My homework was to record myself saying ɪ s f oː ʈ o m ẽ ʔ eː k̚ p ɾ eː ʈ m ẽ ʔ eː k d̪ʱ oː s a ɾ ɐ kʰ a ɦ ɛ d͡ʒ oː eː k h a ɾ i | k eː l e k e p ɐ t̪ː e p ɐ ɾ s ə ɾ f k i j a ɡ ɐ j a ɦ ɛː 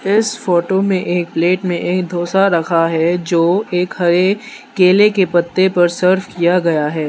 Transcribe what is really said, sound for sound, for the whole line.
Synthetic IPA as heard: ɪ s f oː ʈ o m ẽ ʔ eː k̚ p l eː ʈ m ẽ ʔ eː k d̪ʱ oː s a ɾ ɐ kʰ a ɦ ɛ d͡ʒ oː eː k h ɐ ɾ e | k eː l e k e p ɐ t̪ː e p ɐ ɾ s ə ɾ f k i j a ɡ ɐ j a ɦ ɛː